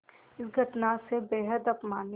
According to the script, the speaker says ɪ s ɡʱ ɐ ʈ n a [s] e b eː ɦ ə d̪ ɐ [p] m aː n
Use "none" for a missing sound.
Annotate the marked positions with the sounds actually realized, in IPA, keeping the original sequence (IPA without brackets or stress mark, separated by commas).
s, p